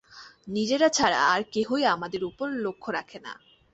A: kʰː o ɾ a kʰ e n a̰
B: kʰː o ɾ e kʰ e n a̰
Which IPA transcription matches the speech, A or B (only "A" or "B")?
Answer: A